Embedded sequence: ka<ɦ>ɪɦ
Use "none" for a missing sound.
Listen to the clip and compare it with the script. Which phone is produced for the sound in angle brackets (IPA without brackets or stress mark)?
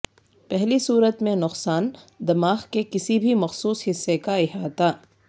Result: none